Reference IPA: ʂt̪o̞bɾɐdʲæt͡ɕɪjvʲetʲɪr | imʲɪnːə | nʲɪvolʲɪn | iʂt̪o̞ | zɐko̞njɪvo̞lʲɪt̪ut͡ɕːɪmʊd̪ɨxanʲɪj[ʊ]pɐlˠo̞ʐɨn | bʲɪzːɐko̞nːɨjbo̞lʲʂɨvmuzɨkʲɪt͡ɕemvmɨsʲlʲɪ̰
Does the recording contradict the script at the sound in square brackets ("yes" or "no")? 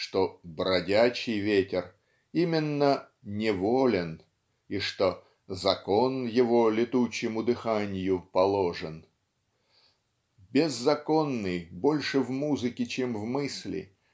no